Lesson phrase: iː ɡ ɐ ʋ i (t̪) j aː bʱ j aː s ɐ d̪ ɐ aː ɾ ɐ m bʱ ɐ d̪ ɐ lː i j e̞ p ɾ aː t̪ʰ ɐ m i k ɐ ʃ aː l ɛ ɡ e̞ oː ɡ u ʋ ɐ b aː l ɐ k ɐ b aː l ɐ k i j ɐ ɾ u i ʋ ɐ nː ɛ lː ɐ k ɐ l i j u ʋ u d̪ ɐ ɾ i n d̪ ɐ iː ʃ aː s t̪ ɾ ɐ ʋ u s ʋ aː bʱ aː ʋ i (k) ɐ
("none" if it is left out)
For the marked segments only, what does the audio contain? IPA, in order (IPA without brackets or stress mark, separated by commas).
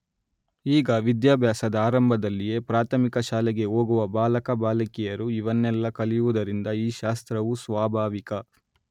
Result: d̪, k